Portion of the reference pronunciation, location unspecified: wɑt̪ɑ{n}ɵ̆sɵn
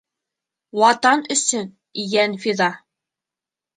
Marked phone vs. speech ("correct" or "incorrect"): correct